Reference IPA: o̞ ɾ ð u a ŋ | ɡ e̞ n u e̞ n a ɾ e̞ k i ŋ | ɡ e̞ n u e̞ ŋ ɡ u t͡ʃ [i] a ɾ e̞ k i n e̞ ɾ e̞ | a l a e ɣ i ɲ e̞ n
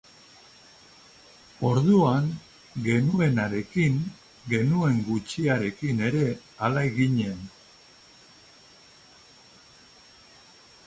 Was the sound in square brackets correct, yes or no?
yes